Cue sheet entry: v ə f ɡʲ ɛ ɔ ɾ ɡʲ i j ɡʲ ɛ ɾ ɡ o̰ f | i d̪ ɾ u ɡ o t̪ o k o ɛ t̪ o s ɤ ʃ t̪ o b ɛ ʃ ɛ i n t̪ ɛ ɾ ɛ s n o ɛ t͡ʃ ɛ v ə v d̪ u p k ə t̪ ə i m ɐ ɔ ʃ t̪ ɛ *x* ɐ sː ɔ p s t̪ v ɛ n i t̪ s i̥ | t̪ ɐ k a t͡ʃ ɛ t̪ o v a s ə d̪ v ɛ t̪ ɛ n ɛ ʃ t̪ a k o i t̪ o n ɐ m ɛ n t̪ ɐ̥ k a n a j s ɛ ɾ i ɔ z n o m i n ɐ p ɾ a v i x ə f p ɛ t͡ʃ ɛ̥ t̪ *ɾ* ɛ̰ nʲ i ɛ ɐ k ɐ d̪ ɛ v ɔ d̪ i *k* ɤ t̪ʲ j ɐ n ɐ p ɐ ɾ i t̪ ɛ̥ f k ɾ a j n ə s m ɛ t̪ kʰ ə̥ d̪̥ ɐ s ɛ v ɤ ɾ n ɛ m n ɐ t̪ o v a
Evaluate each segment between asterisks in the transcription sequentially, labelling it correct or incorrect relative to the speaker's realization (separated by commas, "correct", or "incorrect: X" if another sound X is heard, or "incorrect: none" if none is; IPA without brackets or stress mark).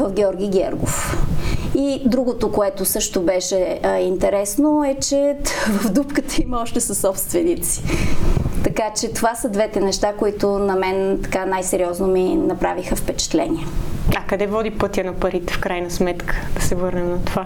incorrect: s, incorrect: l, incorrect: p